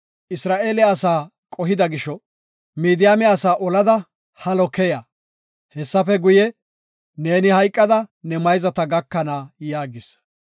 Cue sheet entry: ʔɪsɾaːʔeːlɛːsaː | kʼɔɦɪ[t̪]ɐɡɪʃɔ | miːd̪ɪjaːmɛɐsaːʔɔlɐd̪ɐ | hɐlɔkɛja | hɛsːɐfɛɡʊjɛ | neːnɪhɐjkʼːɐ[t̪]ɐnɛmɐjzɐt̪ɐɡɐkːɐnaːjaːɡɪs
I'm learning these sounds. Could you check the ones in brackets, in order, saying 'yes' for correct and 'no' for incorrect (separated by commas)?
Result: no, no